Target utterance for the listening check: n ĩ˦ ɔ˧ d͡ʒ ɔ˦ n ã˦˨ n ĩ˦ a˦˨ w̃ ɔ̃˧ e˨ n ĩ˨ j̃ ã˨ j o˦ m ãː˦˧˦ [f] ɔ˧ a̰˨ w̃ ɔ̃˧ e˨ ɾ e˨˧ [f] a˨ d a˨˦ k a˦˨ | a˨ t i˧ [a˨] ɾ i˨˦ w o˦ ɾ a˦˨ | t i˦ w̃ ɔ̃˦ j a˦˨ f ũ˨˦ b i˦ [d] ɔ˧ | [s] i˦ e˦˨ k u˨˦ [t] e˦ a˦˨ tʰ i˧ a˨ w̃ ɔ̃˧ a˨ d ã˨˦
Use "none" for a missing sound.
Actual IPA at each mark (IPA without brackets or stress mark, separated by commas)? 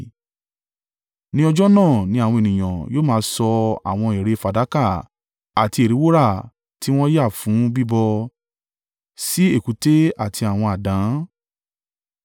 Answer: s, f, e˨, b, s, t